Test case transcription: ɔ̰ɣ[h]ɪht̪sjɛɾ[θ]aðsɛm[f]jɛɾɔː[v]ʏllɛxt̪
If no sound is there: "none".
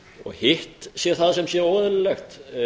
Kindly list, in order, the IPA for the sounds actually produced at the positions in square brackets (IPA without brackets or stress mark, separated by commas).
h, θ, s, ð